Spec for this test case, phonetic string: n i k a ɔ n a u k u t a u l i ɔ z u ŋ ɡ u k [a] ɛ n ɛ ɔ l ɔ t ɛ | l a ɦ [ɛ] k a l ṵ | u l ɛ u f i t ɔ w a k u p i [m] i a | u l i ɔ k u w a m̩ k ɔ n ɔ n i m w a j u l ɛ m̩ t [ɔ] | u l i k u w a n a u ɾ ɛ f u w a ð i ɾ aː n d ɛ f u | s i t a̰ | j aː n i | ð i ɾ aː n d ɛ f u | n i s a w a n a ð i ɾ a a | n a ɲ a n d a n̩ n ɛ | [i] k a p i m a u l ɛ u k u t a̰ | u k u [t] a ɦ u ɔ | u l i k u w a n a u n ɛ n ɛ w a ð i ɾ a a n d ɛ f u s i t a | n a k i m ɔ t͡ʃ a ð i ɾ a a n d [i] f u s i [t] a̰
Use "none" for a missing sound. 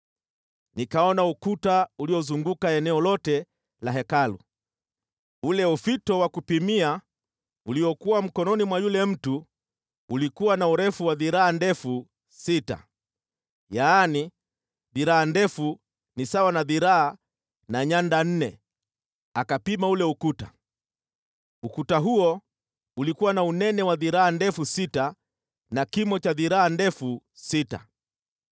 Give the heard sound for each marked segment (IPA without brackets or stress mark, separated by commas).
a, ɛ, m, u, a, t, ɛ, t